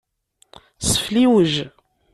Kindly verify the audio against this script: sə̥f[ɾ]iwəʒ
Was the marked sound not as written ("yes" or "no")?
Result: yes